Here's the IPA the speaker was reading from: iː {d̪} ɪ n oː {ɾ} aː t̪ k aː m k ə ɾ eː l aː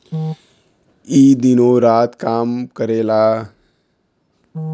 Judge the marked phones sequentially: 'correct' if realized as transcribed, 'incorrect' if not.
correct, correct

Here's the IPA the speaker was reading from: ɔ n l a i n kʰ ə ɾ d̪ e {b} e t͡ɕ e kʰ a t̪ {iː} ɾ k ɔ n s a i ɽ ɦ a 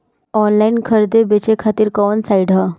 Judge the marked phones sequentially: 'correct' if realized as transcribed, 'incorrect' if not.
correct, correct

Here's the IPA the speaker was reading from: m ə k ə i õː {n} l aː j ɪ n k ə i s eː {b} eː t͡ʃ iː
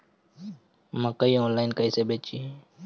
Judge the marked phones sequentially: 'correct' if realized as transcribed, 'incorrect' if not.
correct, correct

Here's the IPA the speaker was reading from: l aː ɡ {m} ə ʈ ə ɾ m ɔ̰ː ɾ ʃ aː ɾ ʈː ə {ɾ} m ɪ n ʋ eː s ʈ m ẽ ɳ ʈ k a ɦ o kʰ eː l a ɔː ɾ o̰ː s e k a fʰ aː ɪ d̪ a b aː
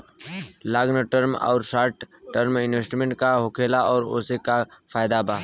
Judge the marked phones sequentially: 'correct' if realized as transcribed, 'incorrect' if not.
incorrect: n, correct

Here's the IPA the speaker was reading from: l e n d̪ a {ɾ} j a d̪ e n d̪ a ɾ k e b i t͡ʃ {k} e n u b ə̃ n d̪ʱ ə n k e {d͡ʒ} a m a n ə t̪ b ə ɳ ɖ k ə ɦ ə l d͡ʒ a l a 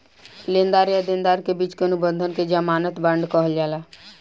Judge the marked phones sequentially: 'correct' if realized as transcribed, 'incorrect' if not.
correct, correct, correct

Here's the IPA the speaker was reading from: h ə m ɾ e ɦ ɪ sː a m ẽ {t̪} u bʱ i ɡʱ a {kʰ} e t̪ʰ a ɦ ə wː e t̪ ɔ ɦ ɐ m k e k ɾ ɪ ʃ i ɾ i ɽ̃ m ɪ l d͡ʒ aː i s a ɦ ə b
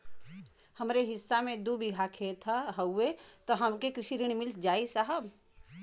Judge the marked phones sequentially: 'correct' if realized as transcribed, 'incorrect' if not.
incorrect: d̪, correct

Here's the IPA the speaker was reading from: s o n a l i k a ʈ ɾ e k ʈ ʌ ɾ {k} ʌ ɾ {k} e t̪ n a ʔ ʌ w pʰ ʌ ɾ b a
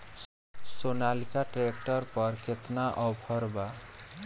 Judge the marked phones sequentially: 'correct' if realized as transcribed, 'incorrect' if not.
incorrect: p, incorrect: kʰ

